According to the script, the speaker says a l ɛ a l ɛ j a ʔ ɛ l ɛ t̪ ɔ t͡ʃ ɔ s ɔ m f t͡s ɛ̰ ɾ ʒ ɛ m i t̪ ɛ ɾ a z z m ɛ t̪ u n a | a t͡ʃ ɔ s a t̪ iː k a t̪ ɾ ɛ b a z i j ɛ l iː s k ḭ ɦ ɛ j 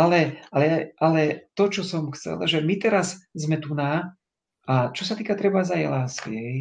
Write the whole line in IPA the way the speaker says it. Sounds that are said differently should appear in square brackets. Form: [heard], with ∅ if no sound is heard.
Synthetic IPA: a l ɛ a l ɛ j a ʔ [a] l ɛ t̪ ɔ t͡ʃ ɔ s ɔ m [x] t͡s ɛ̰ [l] ʒ ɛ m i t̪ ɛ ɾ a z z m ɛ t̪ u n a | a t͡ʃ ɔ s a t̪ iː k a t̪ ɾ ɛ b a z [a] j ɛ l [aː] s k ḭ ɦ ɛ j